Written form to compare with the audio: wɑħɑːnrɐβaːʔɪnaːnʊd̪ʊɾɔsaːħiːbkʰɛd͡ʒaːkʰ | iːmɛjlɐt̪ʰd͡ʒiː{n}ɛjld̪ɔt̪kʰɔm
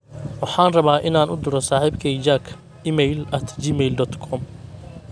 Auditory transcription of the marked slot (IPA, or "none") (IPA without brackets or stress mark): m